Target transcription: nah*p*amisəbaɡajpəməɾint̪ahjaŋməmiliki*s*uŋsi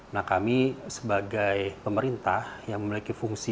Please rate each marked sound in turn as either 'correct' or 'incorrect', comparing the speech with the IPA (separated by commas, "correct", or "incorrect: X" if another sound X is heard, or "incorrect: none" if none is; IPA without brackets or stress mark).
incorrect: k, incorrect: f